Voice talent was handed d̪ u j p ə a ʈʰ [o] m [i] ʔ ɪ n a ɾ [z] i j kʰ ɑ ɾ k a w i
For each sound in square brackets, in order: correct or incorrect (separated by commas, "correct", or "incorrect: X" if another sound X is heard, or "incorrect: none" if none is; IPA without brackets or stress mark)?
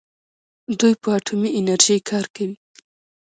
incorrect: u, correct, incorrect: ʒ